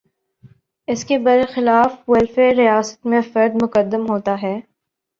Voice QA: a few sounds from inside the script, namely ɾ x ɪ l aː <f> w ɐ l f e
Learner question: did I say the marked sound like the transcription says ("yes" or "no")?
yes